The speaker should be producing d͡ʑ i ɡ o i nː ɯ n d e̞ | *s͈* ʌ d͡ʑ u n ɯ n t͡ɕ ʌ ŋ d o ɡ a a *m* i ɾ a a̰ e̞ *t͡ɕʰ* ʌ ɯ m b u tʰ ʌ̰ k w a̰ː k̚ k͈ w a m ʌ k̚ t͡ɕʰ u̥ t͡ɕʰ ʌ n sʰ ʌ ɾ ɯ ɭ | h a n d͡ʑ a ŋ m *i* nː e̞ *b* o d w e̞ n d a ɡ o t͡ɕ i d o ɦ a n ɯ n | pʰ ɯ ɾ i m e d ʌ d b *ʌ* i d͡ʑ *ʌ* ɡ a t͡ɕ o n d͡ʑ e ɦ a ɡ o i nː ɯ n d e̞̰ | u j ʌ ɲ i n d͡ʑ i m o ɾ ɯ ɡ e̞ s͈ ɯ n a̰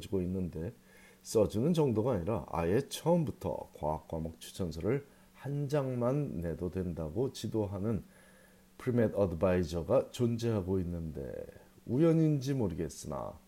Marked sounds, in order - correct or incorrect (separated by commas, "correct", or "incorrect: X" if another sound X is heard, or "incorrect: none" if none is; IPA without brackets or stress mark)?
correct, incorrect: ɲ, correct, incorrect: a, incorrect: d, incorrect: a, correct